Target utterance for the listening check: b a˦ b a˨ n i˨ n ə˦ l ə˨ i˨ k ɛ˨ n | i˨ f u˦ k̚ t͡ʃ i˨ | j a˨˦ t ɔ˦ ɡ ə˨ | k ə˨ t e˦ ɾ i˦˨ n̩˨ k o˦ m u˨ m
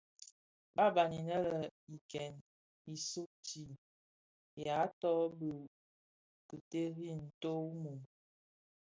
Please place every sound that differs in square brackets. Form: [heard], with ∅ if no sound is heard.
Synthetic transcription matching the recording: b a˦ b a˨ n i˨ n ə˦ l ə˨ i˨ k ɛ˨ n | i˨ [s] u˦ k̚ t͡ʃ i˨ | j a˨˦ t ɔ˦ [b] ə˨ | k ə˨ t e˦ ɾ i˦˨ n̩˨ [t] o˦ m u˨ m